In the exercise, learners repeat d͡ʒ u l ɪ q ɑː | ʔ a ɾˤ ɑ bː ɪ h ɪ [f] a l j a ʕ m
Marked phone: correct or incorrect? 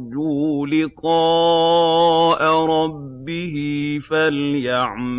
correct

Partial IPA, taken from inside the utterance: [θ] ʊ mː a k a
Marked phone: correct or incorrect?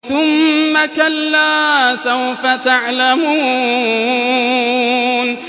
correct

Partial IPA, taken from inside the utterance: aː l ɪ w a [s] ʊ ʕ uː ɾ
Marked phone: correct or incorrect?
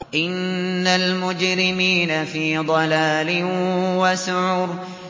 correct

